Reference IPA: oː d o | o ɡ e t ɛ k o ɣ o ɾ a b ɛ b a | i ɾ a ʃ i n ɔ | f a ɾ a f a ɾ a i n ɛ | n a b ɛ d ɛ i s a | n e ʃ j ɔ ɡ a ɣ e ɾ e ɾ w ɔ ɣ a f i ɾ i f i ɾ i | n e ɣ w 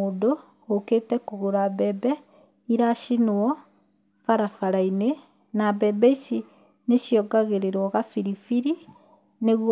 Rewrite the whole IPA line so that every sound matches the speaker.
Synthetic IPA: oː d o | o k e t ɛ k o ɣ o ɾ a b ɛ b ɛ | i ɾ a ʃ i n ɔ | f a ɾ a f a ɾ a i n e | n a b ɛ b ɛ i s i | n e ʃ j ɔ ɡ a ɣ e ɾ e ɾ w ɔ ɣ a f i ɾ i f i ɾ i | n e ɣ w